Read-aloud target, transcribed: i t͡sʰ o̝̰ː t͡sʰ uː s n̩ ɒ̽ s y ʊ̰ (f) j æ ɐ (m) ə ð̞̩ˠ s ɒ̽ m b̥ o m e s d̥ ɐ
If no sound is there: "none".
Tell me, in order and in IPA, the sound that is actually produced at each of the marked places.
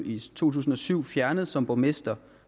f, n

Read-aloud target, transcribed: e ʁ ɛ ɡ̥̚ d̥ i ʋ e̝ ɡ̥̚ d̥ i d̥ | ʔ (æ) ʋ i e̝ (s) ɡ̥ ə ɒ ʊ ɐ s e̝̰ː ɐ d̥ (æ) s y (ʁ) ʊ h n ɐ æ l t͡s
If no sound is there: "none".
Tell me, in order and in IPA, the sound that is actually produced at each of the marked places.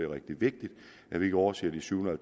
æ, none, i, none

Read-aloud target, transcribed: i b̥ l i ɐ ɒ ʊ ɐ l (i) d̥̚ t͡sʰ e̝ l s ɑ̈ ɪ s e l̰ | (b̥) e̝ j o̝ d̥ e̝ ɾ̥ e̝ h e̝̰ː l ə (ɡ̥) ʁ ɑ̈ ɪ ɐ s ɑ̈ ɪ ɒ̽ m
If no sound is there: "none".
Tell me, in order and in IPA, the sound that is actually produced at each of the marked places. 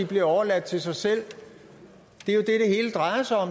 æ, d̥, d̥

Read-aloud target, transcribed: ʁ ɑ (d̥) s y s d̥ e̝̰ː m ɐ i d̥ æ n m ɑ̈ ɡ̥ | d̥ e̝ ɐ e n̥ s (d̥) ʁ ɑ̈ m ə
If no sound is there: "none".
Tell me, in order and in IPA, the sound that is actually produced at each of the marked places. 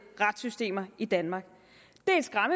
d̥, ɡ̥

